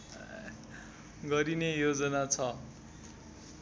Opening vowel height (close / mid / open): mid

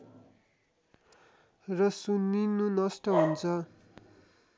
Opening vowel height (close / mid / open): mid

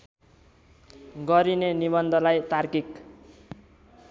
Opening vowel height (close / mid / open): mid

